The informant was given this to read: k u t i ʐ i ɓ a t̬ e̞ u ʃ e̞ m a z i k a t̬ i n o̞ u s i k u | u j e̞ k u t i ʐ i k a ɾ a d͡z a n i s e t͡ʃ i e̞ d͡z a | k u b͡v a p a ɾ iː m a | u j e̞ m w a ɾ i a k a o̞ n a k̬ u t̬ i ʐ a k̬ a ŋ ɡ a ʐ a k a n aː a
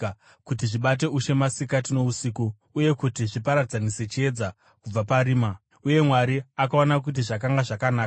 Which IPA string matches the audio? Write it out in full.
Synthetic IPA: k u t i ʐ i ɓ a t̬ e̞ u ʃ e̞ m a s i k a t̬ i n o̞ u s i k u | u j e̞ k u t i ʐ i p a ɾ a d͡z a n i s e t͡ʃ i e̞ d͡z a | k u b͡v a p a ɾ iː m a | u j e̞ m w a ɾ i a k a o̞ n a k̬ u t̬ i ʐ a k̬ a ŋ ɡ a ʐ a k a n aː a